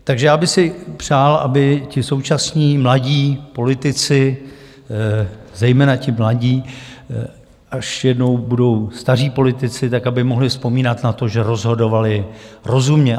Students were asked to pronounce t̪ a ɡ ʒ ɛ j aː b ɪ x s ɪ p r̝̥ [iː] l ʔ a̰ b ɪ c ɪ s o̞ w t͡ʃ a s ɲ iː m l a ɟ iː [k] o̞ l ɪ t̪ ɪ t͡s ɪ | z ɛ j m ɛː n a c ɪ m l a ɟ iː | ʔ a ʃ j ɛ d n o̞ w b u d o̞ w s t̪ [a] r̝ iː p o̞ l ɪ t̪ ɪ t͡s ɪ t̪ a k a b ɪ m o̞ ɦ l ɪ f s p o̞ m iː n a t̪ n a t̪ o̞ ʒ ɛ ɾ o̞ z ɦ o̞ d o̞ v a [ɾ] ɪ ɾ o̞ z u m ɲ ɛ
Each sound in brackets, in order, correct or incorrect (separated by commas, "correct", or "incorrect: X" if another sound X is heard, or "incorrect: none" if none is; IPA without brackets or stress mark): incorrect: aː, incorrect: p, correct, incorrect: l